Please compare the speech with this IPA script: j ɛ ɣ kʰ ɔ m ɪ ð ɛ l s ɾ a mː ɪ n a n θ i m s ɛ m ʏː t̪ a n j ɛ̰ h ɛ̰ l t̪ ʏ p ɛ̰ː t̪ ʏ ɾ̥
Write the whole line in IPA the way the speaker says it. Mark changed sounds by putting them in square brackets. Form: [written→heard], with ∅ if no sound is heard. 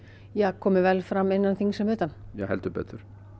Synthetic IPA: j ɛ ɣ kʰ [ɔ→ɔː] m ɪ [ð→v] ɛ l [s→f] ɾ a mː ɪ [n→nː] a n θ i [m→ŋ] s ɛ m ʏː t̪ a n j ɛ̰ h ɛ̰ l t̪ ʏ p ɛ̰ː t̪ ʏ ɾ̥